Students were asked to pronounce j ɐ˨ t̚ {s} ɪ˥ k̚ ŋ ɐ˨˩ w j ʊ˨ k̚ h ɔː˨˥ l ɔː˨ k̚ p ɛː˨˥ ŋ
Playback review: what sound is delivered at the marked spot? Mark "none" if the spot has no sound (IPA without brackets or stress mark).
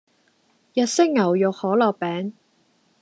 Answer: s